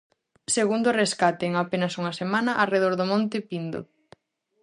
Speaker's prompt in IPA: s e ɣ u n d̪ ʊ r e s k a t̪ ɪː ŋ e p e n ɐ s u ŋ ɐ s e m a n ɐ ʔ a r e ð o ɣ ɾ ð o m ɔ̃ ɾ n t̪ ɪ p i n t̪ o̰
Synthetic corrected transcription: s e ɣ u n d̪ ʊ r e s k a t̪ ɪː ŋ a p e n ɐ s u ŋ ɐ s e m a n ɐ ʔ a r e ð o ɾ ð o m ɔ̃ n t̪ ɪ p i n d̪ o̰